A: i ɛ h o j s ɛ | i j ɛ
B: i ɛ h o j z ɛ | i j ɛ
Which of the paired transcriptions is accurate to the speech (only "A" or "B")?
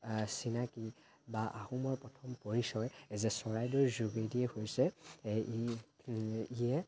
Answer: A